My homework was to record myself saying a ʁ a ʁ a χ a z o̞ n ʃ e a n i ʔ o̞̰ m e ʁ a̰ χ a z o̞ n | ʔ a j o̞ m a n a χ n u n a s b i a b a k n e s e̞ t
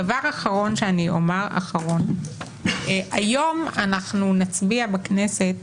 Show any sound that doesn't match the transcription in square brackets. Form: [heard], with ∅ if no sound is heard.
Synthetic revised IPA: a [v] a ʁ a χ a [ʁ] o̞ n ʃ e a n i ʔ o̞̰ m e ʁ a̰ χ a [ʁ] o̞ n | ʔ a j o̞ m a n a χ n u n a [t͡s] b i a b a k n e s e̞ t

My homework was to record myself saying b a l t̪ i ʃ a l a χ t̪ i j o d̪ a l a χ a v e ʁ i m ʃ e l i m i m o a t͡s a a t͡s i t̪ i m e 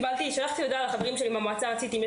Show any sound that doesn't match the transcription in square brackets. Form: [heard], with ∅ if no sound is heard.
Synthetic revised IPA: b a l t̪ i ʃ a l a χ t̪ i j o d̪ a l a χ a v e ʁ i m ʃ e l i m [a] m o a t͡s a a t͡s i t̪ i m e

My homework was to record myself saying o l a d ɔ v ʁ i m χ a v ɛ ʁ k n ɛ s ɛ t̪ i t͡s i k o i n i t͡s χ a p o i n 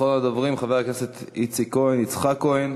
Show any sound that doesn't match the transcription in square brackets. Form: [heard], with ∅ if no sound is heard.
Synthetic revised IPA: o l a d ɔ v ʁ i m χ a v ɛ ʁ k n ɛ s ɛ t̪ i t͡s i k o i n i t͡s χ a [k] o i n

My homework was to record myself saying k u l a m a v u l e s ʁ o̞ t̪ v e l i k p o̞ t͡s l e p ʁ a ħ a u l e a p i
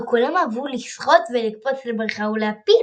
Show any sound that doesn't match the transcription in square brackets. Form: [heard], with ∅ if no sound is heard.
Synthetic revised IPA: k u l a m a v u l [i] s [χ] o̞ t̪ v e l i k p o̞ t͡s l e [b] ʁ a [χ] a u l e a p i

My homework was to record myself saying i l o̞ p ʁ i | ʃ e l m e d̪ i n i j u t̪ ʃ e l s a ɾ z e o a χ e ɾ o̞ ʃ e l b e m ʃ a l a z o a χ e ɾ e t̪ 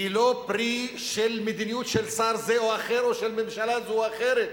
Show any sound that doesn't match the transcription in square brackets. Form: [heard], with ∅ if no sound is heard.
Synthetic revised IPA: i l o̞ p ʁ i | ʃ e l m e d̪ i n i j u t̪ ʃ e l s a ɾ z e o a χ e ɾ o̞ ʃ e l [m] e m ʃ a l a z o a χ e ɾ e t̪

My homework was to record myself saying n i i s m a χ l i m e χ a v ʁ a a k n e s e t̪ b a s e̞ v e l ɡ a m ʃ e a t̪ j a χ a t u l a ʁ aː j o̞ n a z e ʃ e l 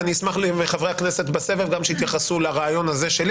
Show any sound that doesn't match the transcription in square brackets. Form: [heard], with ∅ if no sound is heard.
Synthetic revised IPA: n i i s m a χ l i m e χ a v ʁ [e] a k n e s e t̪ b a s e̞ v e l ɡ a m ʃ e [i] t̪ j a χ a [s] u l a ʁ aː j o̞ n a z e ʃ e l

